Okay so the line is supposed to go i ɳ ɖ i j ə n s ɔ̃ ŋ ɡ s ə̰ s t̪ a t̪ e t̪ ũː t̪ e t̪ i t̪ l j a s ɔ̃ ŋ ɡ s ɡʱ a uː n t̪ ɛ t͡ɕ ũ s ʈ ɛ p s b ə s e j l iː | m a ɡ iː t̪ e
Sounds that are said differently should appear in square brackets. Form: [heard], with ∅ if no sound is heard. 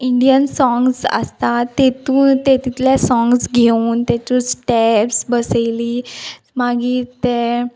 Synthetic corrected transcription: i ɳ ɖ i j ə n s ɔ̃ ŋ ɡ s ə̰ s t̪ a t̪ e t̪ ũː t̪ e t̪ i t̪ l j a s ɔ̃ ŋ ɡ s ɡʱ [e] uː n t̪ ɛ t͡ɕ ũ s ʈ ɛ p s b ə s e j l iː | m a ɡ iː t̪ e